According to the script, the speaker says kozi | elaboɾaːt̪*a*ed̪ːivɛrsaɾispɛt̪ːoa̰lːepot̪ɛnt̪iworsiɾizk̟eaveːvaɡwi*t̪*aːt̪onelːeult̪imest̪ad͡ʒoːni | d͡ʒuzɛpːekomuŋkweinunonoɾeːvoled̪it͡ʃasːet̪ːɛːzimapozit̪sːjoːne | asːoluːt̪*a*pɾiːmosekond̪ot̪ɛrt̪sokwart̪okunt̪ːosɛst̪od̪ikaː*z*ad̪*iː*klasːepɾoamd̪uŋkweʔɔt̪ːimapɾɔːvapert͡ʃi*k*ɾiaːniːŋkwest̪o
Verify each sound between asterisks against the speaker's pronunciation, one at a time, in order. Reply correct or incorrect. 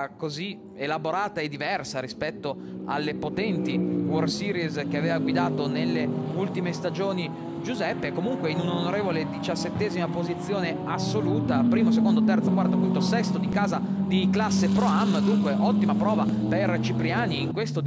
correct, incorrect, correct, correct, incorrect, incorrect

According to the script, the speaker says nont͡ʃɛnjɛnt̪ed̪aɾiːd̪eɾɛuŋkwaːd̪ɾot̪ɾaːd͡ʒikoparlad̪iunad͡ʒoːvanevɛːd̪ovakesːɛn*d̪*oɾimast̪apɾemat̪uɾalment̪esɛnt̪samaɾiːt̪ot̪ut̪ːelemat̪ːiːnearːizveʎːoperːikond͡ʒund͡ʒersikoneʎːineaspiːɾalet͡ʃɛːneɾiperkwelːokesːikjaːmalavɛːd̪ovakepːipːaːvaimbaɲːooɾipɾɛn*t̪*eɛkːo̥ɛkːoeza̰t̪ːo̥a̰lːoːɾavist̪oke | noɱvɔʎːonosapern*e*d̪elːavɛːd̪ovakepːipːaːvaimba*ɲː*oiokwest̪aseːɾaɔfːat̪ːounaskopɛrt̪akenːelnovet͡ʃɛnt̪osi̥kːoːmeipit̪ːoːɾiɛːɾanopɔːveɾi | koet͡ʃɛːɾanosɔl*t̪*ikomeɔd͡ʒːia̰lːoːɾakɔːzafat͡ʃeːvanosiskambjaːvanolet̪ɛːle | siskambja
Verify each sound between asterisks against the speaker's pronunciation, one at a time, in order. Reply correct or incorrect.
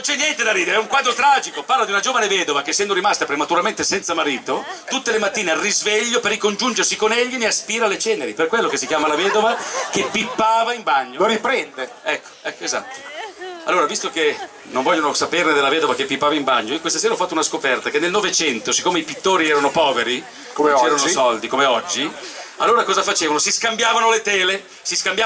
correct, incorrect, correct, correct, incorrect

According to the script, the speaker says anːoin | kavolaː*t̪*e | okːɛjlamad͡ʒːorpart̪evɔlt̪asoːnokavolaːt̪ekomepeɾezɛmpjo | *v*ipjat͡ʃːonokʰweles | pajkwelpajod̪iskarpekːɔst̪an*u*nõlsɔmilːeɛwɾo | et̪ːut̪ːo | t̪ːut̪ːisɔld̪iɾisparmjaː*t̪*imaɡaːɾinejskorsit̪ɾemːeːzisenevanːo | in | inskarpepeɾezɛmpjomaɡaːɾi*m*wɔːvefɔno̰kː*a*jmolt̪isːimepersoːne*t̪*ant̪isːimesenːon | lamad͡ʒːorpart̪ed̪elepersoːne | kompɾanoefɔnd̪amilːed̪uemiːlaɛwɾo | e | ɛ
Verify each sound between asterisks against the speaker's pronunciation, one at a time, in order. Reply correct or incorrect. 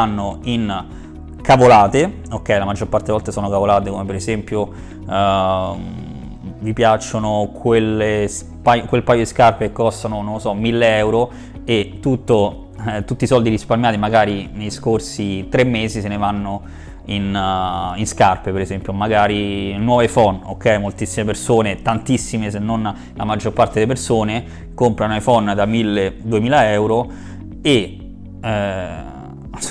correct, correct, incorrect, correct, incorrect, incorrect, correct

